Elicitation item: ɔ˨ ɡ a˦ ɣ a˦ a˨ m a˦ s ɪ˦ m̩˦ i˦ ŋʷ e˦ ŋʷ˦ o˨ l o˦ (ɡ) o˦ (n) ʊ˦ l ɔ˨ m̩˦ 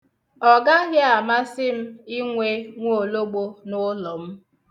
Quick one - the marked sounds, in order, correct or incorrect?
incorrect: ɡ͡b, correct

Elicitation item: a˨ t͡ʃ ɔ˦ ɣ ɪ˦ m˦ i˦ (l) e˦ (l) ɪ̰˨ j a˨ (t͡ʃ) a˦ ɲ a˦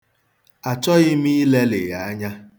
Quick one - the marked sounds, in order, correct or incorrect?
correct, correct, incorrect: none

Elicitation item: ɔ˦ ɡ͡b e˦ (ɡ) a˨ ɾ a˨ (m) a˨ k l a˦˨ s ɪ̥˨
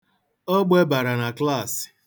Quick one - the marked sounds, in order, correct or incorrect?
incorrect: b, incorrect: n

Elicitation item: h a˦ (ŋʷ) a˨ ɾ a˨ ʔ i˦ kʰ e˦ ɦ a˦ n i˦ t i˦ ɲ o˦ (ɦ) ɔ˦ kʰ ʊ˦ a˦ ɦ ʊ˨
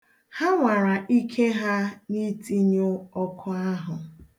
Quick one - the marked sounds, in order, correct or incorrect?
correct, incorrect: none

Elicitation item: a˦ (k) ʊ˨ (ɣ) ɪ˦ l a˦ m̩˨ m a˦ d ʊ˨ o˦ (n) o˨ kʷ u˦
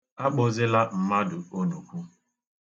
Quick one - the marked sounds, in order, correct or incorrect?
incorrect: k͡p, incorrect: z, correct

